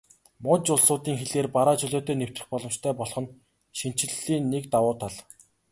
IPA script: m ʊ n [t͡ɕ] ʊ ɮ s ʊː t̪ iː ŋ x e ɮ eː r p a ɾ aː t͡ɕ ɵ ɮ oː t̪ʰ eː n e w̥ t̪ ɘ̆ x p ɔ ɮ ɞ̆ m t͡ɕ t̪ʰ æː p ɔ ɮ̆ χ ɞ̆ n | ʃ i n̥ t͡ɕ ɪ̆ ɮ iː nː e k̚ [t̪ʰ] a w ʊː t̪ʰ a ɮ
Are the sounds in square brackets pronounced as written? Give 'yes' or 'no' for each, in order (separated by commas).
yes, no